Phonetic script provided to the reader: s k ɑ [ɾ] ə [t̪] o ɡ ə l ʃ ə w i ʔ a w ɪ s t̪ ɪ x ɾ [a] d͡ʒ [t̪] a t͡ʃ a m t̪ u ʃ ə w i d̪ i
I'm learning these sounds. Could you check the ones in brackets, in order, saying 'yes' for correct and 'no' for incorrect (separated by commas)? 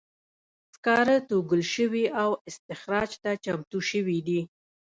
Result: yes, yes, no, yes